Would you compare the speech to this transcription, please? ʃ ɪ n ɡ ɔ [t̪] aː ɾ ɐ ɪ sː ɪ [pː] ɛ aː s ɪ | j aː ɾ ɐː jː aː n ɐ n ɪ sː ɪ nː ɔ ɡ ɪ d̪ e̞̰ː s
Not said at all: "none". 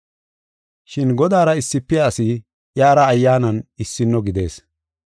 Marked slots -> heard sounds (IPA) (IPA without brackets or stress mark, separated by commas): d̪, pː